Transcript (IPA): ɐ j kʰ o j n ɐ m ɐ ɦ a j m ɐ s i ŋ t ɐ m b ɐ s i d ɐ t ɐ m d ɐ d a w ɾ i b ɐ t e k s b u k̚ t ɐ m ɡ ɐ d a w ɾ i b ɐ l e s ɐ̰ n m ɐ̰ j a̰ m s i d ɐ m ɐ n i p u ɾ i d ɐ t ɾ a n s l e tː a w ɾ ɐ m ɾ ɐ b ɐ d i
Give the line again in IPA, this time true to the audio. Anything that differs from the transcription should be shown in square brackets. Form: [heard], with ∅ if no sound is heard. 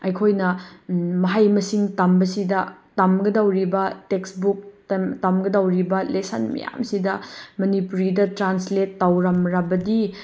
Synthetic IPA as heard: ɐ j kʰ o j n ɐ m ɐ ɦ a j m ɐ s i ŋ t ɐ m b ɐ s i d ɐ t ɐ m [ɡ] ɐ d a w ɾ i b ɐ t e k s b u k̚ t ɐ m ɡ ɐ d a w ɾ i b ɐ l e s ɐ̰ n m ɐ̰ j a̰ m s i d ɐ m ɐ n i p u ɾ i d ɐ t ɾ a n s l e tː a w ɾ ɐ m ɾ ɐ b ɐ d i